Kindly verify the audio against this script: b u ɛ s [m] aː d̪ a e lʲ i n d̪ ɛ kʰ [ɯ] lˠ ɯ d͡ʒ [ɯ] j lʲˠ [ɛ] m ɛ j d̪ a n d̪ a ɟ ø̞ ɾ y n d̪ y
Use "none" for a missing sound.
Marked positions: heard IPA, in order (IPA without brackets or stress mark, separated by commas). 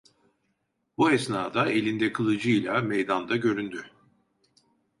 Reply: n, ɯ, ɯ, a